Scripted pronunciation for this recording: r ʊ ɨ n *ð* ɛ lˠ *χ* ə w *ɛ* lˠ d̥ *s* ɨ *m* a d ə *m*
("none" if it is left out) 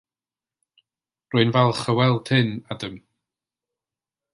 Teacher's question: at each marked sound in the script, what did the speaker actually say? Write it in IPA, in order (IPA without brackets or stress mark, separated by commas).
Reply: v, χ, ɛ, h, n, m